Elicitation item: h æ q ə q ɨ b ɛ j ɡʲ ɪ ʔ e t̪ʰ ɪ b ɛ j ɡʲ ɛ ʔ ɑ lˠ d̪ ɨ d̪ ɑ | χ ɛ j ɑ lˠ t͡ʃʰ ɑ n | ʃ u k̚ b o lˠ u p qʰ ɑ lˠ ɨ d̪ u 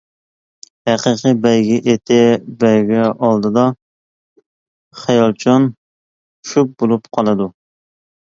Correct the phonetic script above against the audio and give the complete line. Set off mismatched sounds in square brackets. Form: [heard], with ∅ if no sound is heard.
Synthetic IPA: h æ q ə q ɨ b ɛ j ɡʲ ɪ ʔ e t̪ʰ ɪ b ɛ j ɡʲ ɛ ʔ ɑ lˠ d̪ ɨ d̪ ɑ | χ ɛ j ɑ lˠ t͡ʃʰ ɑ n | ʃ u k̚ b o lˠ u p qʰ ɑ lˠ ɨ d̪ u